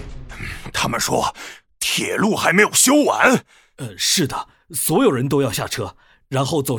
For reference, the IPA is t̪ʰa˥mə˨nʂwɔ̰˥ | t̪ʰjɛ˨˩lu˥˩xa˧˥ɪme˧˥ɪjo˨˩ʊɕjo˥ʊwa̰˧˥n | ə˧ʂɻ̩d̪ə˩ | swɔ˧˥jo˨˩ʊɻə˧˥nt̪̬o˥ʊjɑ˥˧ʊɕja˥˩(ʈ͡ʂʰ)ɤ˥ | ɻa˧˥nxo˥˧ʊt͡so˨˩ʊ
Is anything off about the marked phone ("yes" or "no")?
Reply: no